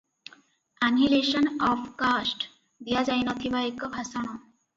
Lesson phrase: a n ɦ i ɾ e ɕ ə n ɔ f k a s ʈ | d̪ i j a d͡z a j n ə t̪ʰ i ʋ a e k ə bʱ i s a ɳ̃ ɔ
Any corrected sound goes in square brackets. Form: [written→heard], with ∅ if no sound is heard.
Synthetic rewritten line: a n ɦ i [ɾ→l] e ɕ ə n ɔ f k a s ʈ | d̪ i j a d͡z a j n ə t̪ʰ i ʋ a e k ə bʱ [i→a] s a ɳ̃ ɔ